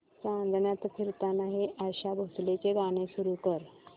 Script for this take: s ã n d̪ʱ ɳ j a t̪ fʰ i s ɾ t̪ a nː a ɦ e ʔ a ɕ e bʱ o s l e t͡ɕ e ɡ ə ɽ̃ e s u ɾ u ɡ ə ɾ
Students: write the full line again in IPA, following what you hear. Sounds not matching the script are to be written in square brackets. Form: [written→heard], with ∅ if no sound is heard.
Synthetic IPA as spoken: s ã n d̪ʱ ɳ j a t̪ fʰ i [s→∅] ɾ t̪ a [nː→n] a ɦ e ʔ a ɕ [e→a] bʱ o s l e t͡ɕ e ɡ [ə→a] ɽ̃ e s u ɾ u [ɡ→k] ə ɾ

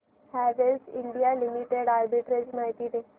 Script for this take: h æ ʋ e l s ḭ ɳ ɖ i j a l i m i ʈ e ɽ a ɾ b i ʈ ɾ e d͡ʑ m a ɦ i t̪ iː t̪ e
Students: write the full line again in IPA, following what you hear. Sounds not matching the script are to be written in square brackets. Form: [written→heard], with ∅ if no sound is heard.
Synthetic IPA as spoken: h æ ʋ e l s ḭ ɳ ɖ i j a l i m i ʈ e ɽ a ɾ b i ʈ ɾ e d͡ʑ m a ɦ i t̪ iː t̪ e

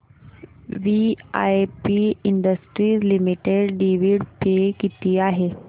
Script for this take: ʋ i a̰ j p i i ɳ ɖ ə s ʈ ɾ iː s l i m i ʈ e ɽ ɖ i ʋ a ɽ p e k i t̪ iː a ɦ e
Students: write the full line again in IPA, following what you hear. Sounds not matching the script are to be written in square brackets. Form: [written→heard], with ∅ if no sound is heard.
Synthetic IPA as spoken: ʋ i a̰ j p i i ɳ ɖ ə s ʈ ɾ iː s l i m i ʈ e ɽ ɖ i ʋ [a→i] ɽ p e k i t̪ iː a ɦ e

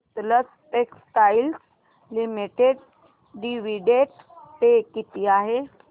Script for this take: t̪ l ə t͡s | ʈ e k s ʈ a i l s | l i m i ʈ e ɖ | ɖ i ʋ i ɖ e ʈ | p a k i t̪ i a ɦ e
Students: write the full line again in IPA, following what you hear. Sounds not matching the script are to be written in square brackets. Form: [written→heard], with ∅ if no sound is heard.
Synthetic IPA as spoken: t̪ l ə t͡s | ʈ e k s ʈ a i l s | l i m i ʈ e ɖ | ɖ i ʋ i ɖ e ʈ | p [a→e] k i t̪ i a ɦ e

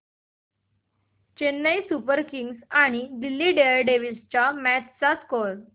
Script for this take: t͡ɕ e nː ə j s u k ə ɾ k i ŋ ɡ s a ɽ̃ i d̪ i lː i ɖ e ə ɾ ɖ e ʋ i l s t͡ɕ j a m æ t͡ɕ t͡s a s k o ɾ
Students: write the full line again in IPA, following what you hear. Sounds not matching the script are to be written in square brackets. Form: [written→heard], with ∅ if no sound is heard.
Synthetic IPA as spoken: t͡ɕ e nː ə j s u [k→p] ə ɾ k i ŋ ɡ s a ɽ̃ i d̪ i lː i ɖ e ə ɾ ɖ e ʋ i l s t͡ɕ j a m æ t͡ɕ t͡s a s k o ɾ

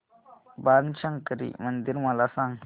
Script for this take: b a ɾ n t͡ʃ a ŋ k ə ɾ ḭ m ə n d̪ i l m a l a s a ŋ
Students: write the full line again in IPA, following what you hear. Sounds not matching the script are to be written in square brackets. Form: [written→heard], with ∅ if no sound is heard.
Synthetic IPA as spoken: b a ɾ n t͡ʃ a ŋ k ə ɾ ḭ m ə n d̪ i [l→ɾ] m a l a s a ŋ

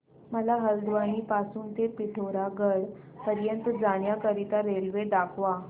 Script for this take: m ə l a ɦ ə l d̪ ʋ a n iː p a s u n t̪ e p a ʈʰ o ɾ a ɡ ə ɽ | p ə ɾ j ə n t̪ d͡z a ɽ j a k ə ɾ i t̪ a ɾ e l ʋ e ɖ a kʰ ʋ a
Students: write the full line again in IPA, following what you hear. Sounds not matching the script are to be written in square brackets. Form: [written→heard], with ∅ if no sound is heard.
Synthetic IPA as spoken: m ə l a ɦ ə l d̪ ʋ a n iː p a s [u→uː] n t̪ e p [a→i] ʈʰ o ɾ a ɡ ə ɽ | p ə ɾ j ə n t̪ d͡z a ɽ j a k ə ɾ i t̪ a ɾ e l ʋ e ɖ a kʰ ʋ a

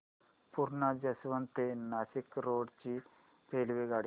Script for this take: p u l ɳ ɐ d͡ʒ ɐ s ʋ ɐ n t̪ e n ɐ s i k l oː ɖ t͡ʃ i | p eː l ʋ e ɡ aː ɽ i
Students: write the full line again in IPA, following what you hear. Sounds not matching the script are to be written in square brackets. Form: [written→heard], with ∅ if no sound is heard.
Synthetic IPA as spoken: p u [l→ɾ] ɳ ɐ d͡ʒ ɐ s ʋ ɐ n t̪ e n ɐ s i k [l→ɾ] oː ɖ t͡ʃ i | p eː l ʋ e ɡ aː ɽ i

